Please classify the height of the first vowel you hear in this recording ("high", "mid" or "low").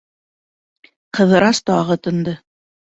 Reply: mid